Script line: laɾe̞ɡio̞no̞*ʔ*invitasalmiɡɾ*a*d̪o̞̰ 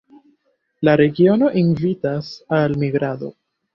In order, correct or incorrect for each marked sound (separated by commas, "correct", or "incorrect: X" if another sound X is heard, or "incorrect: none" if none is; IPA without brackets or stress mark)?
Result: correct, correct